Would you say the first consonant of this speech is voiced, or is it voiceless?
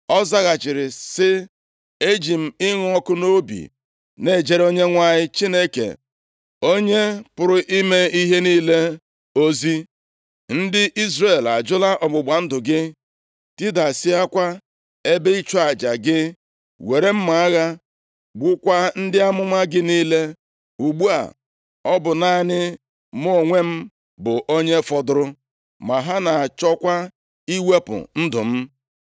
voiced